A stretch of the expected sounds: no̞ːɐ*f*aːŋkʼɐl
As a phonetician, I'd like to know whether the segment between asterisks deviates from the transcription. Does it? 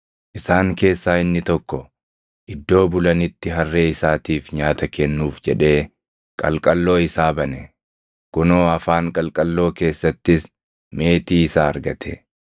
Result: no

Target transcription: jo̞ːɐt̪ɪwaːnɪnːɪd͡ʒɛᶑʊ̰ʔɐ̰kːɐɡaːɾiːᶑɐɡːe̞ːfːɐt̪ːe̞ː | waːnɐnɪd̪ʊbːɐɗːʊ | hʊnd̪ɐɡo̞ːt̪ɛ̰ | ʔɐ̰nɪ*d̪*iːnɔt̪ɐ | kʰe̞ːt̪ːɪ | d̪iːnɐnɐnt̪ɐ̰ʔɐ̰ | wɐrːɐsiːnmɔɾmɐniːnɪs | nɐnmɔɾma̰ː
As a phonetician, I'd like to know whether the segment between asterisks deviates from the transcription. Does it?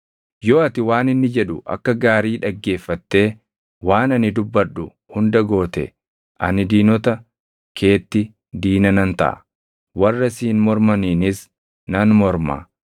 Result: no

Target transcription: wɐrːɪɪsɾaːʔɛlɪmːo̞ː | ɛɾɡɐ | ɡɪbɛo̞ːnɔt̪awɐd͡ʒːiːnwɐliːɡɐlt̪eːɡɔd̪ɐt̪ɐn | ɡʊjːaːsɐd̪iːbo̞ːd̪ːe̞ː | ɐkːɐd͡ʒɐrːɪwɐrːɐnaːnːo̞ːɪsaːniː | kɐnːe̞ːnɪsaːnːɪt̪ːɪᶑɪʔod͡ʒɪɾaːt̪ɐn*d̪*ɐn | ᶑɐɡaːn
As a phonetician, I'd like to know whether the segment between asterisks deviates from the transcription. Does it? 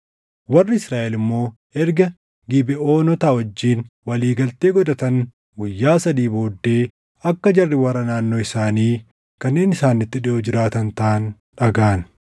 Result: yes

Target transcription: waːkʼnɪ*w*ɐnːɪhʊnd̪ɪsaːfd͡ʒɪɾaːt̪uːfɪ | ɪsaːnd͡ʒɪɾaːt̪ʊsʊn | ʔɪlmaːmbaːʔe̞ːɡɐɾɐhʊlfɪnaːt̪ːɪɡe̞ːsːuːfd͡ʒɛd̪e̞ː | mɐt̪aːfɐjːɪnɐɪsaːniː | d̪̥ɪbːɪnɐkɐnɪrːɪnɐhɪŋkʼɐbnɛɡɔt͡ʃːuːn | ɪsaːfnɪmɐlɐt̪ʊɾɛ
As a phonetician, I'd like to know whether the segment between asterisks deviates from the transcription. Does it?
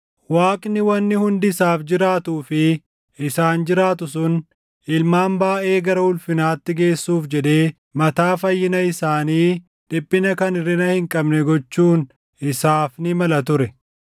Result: no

